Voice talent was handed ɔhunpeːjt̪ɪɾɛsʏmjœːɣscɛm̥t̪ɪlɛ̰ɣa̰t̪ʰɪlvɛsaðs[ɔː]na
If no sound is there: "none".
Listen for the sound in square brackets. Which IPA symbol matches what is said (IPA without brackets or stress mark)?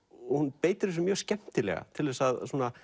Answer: uː